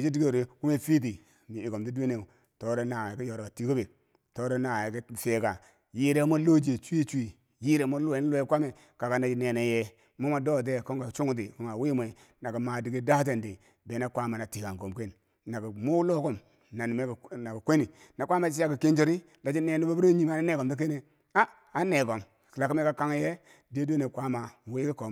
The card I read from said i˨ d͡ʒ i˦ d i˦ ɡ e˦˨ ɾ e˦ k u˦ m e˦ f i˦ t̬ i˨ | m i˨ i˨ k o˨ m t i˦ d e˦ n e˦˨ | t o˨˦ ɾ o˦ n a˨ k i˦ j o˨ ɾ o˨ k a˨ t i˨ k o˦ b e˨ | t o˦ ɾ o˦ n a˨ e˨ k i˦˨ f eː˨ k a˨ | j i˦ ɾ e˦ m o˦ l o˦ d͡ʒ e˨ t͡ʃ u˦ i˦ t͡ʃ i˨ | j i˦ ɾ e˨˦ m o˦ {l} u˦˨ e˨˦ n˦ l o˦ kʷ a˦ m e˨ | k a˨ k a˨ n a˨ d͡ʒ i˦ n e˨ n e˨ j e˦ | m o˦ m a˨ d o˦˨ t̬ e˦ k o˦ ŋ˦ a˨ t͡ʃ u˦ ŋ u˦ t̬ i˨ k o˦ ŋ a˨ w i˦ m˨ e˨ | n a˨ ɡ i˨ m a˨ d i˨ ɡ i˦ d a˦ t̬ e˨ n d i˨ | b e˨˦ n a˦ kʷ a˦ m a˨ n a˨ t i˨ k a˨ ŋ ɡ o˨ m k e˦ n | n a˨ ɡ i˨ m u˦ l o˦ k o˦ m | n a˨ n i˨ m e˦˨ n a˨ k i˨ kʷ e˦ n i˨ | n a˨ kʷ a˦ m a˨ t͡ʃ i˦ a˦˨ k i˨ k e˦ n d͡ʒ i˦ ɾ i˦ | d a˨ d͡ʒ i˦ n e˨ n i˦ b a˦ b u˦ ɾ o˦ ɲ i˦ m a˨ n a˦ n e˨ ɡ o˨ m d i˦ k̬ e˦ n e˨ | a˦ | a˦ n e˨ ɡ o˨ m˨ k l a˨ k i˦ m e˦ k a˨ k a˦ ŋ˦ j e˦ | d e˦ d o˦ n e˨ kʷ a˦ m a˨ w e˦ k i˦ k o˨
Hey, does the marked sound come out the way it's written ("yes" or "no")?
yes